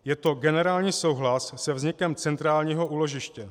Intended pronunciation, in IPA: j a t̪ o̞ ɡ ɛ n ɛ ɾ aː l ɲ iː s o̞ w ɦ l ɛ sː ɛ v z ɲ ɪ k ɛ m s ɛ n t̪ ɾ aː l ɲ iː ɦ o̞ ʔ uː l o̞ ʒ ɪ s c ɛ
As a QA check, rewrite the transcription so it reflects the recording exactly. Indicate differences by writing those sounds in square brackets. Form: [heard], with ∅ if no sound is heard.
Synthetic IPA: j [ɛ] t̪ o̞ ɡ ɛ n ɛ ɾ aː l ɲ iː s o̞ w ɦ l [a] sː ɛ v z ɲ ɪ k ɛ m [t͡s] ɛ n t̪ ɾ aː l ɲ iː ɦ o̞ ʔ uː l o̞ ʒ ɪ [ʃ] c ɛ